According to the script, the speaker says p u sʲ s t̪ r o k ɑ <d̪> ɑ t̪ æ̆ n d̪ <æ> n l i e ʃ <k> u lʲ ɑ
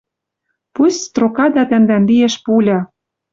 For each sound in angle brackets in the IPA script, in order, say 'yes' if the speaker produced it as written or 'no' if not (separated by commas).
yes, yes, no